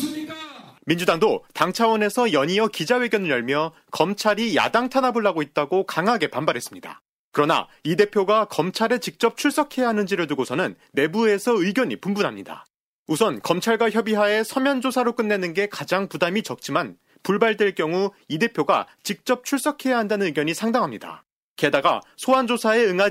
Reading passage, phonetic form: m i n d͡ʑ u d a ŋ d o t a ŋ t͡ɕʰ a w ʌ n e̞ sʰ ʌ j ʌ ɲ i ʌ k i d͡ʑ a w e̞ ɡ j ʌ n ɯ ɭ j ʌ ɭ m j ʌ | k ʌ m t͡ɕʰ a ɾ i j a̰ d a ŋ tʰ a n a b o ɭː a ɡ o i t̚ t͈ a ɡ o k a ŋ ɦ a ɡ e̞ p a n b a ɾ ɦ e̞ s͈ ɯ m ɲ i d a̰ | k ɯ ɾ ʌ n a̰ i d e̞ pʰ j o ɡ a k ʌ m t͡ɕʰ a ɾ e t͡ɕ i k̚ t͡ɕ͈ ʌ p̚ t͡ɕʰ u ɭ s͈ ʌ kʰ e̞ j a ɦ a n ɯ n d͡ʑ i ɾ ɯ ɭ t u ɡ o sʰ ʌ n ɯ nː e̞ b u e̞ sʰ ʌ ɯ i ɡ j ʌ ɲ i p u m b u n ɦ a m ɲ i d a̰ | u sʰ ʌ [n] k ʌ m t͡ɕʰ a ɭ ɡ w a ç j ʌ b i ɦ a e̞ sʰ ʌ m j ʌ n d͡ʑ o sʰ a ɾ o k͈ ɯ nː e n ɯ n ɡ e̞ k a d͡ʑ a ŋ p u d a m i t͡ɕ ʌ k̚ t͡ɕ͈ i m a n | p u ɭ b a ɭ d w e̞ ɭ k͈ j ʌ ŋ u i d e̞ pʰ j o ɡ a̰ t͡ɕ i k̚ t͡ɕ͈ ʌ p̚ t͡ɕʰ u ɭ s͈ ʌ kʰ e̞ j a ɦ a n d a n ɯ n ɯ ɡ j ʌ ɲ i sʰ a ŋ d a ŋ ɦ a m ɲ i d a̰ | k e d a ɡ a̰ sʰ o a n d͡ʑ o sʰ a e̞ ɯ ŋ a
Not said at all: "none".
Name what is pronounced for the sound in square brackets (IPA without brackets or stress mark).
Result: n